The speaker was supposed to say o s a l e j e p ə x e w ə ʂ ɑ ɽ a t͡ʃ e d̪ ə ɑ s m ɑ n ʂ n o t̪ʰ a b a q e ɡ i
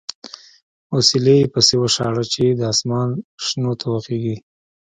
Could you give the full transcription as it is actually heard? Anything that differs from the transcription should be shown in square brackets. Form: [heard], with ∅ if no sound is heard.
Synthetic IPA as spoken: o s [i] l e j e p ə [s] e w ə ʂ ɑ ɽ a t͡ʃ e d̪ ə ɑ s m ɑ n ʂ n o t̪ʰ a [w] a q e ɡ i

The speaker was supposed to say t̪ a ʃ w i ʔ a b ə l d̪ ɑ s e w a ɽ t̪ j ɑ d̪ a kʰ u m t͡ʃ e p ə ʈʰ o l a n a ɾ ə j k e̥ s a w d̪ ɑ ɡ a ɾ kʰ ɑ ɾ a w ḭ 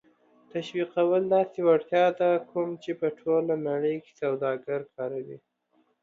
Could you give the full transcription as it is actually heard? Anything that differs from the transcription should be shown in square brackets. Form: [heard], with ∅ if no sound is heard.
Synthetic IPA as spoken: t̪ a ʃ w i [q] a [w] ə l d̪ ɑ s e w a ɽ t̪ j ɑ d̪ a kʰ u m t͡ʃ e p ə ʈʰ o l a n a [ɽ] ə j k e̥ s a w d̪ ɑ ɡ a ɾ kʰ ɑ ɾ a w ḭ

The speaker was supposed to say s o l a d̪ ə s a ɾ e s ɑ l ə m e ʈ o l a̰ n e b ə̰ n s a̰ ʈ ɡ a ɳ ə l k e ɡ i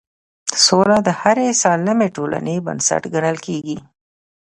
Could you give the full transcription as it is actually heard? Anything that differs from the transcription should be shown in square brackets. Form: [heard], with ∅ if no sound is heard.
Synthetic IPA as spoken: s o l a d̪ ə [h] a ɾ e s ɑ l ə m e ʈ o l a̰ n e b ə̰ n s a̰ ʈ ɡ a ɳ ə l k e ɡ i

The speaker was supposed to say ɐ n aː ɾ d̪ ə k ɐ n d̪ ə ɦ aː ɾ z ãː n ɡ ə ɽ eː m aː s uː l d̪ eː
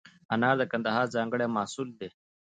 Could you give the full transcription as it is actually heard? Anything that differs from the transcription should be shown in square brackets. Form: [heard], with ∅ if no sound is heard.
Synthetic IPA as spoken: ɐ n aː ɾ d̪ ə k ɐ n d̪ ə ɦ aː ɾ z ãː [ŋ] ɡ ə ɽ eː m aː s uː l d̪ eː

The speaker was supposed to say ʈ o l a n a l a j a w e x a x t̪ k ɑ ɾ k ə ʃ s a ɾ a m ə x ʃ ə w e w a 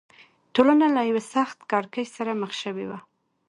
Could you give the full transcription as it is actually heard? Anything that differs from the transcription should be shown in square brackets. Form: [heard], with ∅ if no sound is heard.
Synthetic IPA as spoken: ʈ o l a n a l a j a w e [s] a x t̪ k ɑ ɾ k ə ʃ s a ɾ a m ə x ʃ ə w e w a

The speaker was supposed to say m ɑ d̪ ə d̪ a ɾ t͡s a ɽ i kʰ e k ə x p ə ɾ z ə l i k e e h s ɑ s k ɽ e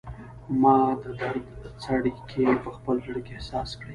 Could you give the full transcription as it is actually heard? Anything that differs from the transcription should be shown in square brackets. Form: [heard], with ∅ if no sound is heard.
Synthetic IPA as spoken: m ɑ d̪ ə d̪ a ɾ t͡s a ɽ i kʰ e [p] ə x p ə [l] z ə [ɽ] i k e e h s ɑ s k ɽ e

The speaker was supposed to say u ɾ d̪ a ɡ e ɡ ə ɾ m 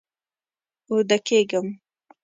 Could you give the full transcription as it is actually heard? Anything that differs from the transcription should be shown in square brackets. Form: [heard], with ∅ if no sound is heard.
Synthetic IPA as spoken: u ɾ d̪ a [k] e ɡ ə [∅] m

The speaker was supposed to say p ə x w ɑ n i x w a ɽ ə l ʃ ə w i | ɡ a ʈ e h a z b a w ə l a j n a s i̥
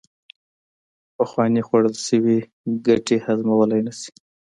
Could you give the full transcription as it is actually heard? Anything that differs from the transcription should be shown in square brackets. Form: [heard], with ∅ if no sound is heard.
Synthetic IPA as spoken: p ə x w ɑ n i x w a ɽ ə l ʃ ə w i | ɡ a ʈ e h a z [m] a w ə l a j n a s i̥

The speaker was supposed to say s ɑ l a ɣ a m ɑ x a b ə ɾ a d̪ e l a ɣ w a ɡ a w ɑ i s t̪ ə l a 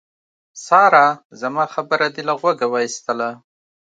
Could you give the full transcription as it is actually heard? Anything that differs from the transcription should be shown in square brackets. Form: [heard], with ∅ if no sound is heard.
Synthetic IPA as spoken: s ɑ [ɾ] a [z] a m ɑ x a b ə ɾ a d̪ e l a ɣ w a ɡ a w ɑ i s t̪ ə l a

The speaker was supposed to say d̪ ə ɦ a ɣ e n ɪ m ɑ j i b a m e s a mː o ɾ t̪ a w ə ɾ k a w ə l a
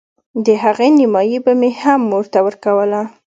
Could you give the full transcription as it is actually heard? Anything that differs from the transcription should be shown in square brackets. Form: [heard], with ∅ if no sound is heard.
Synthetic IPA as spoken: d̪ ə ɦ a ɣ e n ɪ m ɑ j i b a m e [h] a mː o ɾ t̪ a w ə ɾ k a w ə l a

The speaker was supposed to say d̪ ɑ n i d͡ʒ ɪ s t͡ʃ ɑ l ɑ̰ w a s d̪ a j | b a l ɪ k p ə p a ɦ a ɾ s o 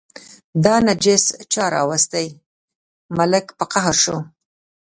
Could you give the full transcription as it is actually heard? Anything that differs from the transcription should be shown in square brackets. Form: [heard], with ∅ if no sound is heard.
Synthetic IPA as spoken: d̪ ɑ n [a] d͡ʒ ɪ s t͡ʃ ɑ [ɾ] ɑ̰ w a s [t̪] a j | [m] a l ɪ k p ə [q] a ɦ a ɾ [ʃ] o

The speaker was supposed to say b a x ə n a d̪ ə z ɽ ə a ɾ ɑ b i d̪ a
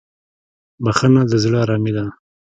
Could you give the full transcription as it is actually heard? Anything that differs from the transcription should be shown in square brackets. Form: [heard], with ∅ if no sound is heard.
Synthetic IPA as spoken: b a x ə n a d̪ ə z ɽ ə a ɾ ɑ [m] i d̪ a

